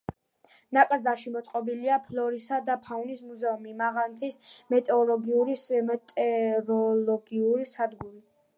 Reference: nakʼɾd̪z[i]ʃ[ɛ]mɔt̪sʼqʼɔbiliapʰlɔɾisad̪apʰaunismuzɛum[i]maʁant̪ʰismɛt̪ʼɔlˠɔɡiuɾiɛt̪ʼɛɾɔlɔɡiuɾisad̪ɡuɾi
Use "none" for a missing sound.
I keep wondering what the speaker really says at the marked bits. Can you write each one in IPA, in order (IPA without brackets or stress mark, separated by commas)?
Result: a, i, i